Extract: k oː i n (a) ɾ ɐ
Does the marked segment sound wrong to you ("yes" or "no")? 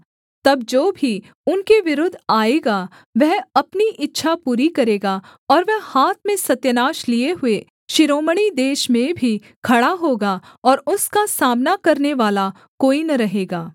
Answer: yes